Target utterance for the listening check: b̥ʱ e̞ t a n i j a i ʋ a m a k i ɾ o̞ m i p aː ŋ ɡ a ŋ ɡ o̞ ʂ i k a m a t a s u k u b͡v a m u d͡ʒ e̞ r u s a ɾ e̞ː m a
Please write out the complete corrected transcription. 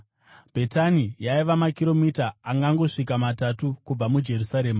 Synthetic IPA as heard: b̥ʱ e̞ t a n i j a i ʋ a m a k i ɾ o̞ m i t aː ŋ ɡ a ŋ ɡ o̞ ʂ i k a m a t a t u k u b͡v a m u d͡ʒ e̞ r u s a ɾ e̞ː m a